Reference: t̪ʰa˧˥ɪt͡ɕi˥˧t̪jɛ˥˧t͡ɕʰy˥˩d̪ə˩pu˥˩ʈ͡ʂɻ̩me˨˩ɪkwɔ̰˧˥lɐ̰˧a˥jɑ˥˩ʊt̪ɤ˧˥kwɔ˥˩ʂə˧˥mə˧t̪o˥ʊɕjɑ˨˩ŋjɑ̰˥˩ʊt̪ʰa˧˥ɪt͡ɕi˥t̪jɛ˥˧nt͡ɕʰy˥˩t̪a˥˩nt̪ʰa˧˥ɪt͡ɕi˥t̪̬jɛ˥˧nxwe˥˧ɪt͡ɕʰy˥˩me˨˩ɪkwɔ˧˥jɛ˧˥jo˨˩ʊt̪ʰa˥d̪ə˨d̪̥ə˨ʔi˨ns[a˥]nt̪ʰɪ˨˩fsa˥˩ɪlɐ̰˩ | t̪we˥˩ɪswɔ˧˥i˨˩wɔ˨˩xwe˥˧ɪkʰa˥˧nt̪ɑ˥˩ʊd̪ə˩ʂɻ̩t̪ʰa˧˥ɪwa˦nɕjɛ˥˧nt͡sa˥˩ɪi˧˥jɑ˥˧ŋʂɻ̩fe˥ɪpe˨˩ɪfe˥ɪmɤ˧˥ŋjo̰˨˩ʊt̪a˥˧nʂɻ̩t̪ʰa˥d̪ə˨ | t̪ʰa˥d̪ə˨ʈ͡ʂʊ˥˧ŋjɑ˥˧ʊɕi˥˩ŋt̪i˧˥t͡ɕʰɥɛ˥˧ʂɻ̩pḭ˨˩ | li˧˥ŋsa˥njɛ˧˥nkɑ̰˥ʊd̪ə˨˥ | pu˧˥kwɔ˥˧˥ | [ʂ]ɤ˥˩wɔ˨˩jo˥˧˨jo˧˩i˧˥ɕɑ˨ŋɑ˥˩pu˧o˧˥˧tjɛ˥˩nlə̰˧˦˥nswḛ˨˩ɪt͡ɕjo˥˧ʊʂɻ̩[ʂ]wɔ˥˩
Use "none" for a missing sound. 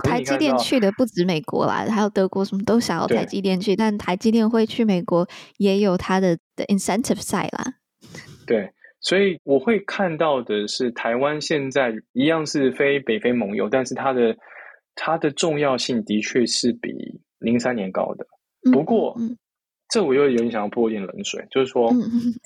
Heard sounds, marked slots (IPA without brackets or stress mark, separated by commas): ɛ˥, ʈ͡ʂ, ʂ